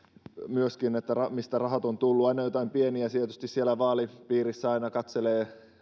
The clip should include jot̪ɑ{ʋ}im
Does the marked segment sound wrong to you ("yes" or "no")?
yes